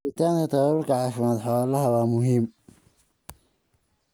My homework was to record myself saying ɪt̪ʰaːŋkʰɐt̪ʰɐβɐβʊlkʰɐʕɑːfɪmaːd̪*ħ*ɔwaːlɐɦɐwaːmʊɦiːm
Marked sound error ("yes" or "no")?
no